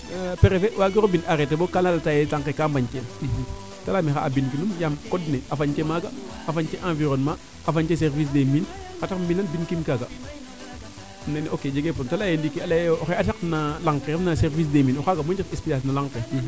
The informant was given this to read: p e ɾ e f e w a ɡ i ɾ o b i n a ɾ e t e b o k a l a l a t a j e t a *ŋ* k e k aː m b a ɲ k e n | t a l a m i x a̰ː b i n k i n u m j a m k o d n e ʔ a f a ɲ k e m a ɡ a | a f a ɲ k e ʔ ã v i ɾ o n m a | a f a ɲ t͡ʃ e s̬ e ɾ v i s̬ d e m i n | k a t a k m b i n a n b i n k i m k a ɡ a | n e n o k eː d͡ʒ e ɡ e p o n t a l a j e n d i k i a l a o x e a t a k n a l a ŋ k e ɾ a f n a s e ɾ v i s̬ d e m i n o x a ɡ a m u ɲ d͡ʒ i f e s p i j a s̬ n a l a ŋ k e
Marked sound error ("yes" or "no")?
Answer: no